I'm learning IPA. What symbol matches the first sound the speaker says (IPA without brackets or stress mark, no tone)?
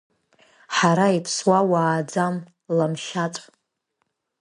ħ